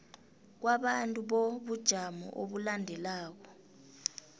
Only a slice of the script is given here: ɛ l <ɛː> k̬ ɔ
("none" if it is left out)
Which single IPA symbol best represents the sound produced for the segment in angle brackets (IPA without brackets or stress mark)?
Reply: aː